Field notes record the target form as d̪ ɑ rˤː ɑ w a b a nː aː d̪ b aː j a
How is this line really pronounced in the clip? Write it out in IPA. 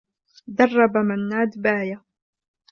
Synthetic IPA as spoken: d̪ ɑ rˤː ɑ b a m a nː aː d̪ b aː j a